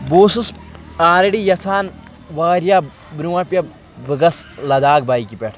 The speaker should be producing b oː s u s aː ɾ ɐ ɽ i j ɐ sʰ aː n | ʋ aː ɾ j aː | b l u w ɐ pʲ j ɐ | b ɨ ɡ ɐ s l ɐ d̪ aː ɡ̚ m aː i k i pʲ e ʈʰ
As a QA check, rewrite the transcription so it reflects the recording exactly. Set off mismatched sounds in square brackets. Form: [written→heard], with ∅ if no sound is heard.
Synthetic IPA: b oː s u s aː ɾ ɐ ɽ i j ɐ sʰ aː n | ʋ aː ɾ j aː | b [l→ɾ] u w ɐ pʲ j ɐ | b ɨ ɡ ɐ s l ɐ d̪ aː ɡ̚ [m→b] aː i k i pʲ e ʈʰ